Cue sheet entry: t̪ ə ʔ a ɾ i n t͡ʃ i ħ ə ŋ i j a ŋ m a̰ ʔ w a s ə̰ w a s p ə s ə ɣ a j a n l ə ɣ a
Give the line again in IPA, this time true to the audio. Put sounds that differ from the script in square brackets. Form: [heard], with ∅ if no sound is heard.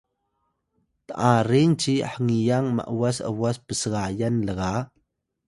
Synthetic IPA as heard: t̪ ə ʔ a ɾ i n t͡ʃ i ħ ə ŋ i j a ŋ m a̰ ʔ w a s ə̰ w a s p ə s ə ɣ a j a n l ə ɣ a